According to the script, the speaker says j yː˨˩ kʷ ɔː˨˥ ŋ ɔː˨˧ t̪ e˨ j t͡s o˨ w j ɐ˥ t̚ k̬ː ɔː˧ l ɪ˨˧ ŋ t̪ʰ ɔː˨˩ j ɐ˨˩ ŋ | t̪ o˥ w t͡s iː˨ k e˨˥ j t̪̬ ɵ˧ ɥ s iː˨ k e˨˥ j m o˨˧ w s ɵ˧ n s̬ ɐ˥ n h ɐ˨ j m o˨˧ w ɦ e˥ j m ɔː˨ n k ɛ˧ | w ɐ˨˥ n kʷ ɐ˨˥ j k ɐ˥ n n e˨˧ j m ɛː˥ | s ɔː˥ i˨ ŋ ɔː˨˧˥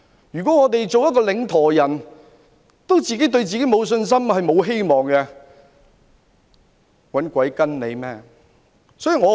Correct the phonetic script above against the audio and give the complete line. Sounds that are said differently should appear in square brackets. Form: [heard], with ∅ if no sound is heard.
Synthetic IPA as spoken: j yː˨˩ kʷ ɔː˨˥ ŋ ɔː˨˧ t̪ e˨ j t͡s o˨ w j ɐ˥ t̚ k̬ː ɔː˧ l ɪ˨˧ ŋ t̪ʰ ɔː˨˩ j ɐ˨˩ [n] | t̪ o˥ w t͡s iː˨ k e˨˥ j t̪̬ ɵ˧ ɥ [t͡s] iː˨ k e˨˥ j m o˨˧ w s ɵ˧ n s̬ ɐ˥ [m] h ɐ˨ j m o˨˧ w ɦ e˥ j m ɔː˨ [ŋ] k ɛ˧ | w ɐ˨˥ n kʷ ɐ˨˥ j k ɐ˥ n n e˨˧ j m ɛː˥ | s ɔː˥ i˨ ŋ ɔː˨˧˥